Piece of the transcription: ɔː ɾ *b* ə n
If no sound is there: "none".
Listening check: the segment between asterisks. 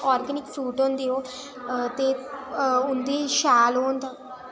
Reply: ɡ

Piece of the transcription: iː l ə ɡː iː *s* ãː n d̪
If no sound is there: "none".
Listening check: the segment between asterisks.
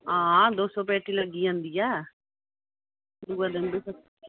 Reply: none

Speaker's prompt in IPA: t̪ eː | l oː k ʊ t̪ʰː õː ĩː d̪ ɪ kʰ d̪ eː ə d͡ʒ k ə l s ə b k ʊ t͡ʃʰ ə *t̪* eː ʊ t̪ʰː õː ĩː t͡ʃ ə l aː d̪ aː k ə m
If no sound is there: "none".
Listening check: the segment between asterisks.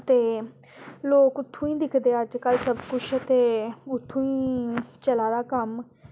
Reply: t̪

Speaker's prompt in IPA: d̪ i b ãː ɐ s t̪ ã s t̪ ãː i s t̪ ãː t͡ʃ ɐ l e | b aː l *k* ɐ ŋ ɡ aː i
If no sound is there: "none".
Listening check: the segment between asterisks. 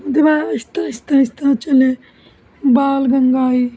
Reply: ɡ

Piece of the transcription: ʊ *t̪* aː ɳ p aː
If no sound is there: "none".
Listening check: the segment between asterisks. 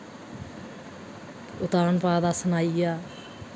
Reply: t̪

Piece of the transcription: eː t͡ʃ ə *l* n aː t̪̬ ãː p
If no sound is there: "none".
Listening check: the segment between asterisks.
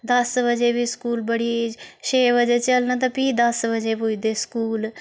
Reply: l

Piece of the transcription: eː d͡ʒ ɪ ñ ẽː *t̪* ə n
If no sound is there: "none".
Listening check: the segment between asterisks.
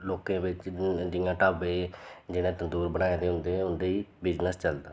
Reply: t̪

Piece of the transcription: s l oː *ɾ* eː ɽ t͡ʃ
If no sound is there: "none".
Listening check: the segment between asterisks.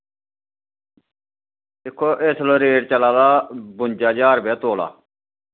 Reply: ɾ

